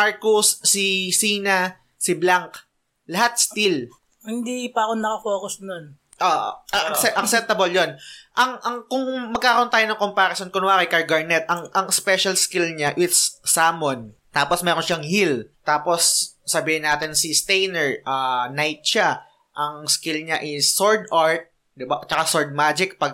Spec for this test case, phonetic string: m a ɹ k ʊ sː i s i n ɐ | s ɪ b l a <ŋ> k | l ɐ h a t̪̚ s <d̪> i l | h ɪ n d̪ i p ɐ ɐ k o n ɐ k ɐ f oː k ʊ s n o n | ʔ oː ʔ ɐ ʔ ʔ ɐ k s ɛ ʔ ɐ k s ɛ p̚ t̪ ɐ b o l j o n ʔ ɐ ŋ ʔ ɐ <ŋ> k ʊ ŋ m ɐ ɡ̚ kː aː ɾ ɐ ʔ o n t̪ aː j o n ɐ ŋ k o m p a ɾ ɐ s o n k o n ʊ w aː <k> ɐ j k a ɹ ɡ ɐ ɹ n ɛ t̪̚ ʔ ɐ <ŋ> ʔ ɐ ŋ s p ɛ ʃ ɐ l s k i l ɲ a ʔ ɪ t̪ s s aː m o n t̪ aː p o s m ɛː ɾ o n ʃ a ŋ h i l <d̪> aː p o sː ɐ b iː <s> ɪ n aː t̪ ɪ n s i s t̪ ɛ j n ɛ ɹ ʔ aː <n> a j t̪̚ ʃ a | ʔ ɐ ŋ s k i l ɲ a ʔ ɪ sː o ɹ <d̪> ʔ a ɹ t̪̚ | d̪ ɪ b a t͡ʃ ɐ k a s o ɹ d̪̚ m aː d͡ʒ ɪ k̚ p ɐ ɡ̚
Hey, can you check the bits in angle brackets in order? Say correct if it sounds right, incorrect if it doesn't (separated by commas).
correct, incorrect, correct, correct, correct, incorrect, incorrect, correct, correct